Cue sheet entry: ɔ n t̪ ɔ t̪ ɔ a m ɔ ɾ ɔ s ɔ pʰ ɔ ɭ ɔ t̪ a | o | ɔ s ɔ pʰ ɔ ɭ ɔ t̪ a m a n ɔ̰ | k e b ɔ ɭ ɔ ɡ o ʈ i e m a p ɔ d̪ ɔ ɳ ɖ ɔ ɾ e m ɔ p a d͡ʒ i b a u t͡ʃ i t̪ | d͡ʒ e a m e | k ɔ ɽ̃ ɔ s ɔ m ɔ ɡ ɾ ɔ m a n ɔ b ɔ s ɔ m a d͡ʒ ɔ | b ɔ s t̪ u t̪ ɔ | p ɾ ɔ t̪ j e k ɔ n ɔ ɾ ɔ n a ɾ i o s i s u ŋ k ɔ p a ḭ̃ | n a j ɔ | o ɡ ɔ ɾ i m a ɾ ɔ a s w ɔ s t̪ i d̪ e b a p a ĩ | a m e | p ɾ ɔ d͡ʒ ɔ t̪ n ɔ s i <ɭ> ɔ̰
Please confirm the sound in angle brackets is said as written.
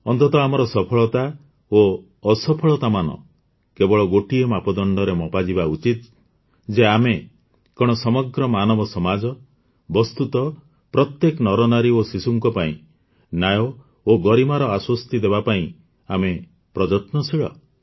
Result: yes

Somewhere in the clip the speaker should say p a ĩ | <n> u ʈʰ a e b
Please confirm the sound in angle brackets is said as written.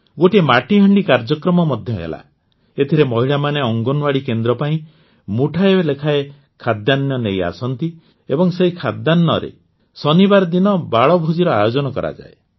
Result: no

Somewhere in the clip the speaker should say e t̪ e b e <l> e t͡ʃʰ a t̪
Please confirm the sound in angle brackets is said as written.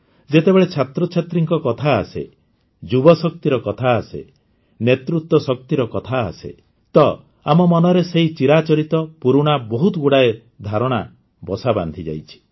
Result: no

